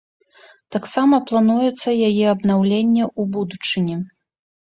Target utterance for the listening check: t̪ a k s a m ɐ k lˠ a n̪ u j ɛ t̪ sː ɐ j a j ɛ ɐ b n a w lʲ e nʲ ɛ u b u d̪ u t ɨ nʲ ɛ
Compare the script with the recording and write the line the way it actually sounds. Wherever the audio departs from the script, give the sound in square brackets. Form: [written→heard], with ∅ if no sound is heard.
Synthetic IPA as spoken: t̪ a k s a m ɐ [k→p] lˠ a n̪ u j ɛ t̪ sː ɐ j a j ɛ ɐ b n a w lʲ e [nʲ→nʲː] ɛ u b u d̪ u [t→t͡ʂ] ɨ nʲ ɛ